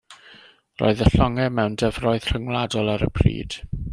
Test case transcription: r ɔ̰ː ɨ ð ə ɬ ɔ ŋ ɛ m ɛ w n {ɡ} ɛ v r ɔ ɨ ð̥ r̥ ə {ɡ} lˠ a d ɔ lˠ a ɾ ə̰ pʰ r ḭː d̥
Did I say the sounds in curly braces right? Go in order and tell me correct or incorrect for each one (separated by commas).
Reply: incorrect, incorrect